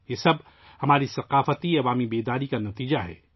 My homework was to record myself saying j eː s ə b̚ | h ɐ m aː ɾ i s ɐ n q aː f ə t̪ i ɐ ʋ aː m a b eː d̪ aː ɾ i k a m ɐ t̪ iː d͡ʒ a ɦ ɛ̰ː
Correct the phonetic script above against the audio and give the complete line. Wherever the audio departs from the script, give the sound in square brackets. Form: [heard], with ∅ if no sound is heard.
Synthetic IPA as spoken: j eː s [ɐ] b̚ | h ɐ m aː ɾ i s ɐ [∅] q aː f ə t̪ i ɐ ʋ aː m [i] b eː d̪ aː ɾ i k a [n] ɐ t̪ iː d͡ʒ a ɦ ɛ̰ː